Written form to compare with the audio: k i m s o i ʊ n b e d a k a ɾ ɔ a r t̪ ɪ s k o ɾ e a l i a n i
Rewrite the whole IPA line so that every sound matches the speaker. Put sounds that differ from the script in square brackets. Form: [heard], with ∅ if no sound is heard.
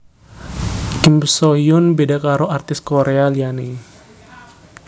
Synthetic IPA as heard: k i m s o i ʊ n b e d a k a ɾ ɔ a r t̪ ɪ s k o ɾ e a l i a n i